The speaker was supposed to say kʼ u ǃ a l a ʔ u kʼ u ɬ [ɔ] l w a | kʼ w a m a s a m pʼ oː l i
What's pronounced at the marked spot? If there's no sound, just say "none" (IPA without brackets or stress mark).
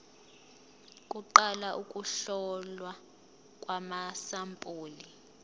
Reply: ɔ